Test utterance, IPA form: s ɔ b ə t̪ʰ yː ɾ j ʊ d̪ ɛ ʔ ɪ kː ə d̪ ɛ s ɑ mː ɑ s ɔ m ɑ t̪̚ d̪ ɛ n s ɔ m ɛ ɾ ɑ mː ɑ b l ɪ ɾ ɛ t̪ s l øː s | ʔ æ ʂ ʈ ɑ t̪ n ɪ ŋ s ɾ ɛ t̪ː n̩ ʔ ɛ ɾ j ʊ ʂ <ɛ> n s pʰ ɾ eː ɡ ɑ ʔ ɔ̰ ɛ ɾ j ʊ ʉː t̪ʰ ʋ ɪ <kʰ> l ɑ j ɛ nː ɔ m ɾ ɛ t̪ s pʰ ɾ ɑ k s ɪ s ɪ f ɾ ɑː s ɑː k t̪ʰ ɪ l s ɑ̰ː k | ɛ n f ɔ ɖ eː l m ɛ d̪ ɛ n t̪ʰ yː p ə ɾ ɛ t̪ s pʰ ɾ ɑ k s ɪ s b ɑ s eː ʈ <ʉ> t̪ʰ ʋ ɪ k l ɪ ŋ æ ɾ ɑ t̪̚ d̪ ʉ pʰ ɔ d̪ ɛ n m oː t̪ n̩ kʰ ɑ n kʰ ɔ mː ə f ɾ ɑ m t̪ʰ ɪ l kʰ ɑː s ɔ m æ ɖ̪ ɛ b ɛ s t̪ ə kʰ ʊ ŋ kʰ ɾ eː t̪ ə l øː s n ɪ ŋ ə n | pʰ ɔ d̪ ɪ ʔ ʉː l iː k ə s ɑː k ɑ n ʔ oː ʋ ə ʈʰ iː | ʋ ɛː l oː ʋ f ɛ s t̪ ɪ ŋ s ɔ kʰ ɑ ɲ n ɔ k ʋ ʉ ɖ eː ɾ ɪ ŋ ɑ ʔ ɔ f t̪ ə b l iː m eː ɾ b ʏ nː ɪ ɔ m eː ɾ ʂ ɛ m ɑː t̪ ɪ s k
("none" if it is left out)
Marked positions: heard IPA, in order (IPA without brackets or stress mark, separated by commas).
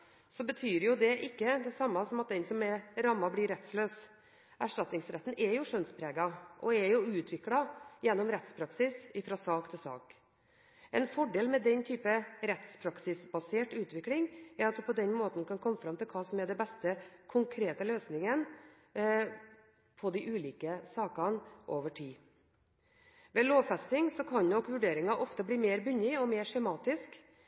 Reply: œ, k, ʉː